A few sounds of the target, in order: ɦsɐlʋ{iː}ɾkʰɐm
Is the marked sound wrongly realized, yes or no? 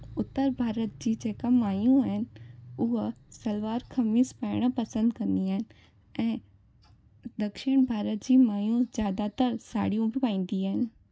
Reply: yes